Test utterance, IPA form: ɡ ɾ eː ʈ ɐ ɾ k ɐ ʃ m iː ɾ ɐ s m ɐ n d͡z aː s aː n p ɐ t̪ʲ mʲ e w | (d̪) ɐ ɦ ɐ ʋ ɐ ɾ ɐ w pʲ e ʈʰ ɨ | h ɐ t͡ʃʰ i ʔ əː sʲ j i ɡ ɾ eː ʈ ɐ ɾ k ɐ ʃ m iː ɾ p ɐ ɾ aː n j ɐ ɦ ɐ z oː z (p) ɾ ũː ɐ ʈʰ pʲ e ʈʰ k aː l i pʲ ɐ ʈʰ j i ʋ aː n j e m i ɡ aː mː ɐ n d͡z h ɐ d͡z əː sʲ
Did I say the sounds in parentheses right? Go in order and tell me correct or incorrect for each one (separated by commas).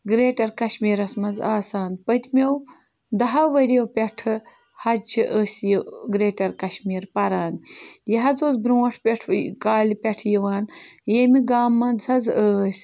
correct, incorrect